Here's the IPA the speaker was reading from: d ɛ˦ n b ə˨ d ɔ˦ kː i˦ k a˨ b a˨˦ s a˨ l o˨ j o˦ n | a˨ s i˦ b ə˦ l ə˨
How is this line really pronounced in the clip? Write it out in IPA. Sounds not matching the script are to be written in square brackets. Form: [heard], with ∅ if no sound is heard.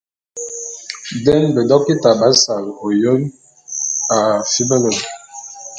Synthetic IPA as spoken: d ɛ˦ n b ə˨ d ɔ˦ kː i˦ [t] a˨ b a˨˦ s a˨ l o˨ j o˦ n | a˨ [f] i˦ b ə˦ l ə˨